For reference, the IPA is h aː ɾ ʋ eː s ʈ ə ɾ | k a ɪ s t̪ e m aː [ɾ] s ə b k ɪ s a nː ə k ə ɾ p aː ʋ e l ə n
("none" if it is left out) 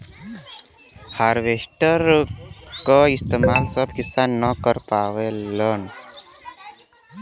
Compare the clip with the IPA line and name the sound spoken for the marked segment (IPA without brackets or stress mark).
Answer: l